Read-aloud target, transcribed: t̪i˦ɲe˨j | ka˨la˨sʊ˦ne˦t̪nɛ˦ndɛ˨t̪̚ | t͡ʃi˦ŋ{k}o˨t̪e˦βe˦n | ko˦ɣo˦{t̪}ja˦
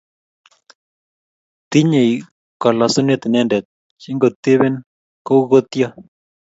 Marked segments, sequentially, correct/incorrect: incorrect, correct

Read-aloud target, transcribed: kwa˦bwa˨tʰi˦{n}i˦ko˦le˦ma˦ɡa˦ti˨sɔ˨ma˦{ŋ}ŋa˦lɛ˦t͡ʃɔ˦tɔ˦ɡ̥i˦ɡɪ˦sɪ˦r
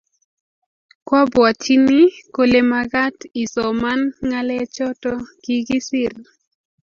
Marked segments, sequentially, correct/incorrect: correct, incorrect

